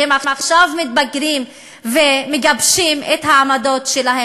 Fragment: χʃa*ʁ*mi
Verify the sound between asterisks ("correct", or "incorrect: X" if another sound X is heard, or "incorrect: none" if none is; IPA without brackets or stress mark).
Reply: incorrect: v